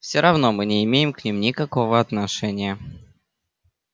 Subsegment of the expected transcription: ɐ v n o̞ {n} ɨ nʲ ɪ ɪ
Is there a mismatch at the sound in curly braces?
yes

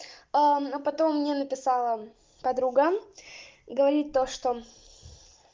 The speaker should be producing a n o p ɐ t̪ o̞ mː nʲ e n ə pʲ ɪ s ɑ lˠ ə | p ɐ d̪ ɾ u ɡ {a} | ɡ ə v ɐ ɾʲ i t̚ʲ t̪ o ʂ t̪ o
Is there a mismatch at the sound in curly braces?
yes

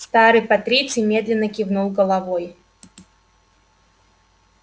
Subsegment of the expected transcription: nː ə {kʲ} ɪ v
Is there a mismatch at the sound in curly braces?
no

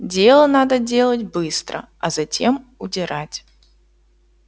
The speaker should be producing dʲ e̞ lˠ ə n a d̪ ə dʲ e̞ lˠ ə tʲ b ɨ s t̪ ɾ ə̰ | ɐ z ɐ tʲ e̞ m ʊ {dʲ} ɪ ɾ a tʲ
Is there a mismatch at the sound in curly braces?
no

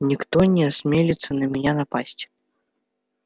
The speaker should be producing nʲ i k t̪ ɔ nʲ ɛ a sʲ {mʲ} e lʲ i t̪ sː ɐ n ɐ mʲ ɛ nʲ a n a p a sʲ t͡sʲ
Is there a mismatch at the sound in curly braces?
no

